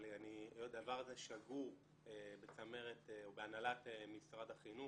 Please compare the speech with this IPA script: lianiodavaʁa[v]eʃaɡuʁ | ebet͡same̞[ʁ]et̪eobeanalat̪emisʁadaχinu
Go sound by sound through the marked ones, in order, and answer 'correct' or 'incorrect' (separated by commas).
incorrect, correct